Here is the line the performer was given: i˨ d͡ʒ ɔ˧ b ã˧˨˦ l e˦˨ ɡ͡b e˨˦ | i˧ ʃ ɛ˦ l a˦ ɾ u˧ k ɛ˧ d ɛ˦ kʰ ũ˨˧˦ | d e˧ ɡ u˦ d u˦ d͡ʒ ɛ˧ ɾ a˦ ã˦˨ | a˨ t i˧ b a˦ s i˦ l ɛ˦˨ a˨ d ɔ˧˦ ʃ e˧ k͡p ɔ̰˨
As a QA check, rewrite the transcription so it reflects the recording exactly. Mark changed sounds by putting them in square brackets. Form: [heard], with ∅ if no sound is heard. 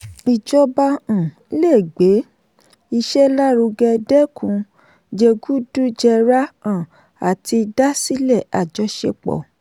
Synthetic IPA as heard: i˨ d͡ʒ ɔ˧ b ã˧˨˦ l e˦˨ ɡ͡b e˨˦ | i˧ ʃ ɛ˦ l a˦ ɾ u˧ [ɡ] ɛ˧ d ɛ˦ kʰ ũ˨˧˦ | [d͡ʒ] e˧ ɡ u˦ d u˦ d͡ʒ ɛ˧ ɾ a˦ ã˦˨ | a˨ t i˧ [d] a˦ s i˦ l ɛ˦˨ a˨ [d͡ʒ] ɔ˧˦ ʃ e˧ k͡p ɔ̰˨